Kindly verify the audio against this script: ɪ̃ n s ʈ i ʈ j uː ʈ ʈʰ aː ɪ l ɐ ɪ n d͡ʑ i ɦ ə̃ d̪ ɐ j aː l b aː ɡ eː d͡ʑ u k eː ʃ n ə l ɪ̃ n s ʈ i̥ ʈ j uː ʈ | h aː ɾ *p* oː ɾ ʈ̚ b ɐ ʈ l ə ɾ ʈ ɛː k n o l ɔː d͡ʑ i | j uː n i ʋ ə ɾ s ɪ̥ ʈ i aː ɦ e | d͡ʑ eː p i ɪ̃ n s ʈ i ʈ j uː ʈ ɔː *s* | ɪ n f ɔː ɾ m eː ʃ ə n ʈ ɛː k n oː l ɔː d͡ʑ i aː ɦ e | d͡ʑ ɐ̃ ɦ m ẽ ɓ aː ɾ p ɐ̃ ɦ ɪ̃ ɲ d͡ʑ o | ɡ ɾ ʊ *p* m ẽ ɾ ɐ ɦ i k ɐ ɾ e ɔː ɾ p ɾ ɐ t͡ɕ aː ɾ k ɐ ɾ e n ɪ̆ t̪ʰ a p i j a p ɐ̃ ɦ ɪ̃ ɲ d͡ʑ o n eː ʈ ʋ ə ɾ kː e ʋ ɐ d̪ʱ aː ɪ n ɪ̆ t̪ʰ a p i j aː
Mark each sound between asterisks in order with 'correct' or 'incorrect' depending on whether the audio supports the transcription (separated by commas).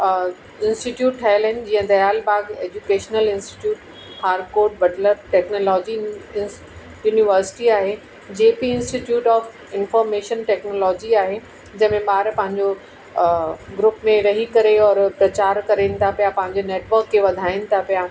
incorrect, incorrect, correct